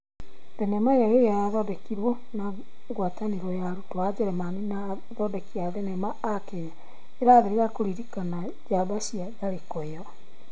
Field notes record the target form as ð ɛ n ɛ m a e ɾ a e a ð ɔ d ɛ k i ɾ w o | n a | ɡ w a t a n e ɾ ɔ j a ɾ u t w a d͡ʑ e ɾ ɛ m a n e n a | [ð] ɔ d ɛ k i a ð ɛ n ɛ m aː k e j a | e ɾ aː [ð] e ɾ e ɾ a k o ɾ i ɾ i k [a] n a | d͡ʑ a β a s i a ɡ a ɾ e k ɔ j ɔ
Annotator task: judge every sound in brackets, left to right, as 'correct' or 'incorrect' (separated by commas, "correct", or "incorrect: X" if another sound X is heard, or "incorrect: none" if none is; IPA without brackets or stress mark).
correct, correct, correct